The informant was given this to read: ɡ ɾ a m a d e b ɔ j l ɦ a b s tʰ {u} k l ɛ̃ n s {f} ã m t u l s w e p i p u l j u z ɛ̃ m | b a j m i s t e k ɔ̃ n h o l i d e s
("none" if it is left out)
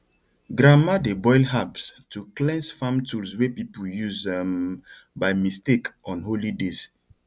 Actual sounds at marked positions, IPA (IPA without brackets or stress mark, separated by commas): u, f